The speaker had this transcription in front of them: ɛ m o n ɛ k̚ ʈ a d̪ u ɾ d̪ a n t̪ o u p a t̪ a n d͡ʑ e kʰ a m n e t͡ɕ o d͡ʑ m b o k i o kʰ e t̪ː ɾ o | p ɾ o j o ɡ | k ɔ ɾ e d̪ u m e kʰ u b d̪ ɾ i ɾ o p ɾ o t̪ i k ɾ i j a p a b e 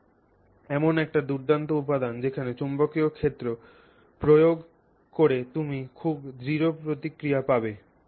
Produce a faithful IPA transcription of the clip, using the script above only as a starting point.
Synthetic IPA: ɛ m o n ɛ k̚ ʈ a d̪ u ɾ d̪ a n t̪ o u p a d̪ a n d͡ʑ e kʰ a n e t͡ɕ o m b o k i o kʰ e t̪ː ɾ o | p ɾ o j o ɡ | k o ɾ e t̪ u m i kʰ u b d̪ ɾ i ɾ o p ɾ o t̪ i k ɾ i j a p a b e